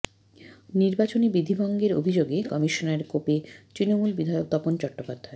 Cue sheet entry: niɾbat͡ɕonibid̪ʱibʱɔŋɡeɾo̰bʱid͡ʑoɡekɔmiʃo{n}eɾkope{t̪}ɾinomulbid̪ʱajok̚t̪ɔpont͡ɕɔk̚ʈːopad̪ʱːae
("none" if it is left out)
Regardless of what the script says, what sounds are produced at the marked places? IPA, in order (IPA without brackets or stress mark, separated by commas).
n, t̪